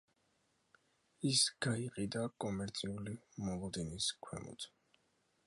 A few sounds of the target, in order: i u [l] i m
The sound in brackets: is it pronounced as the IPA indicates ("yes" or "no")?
yes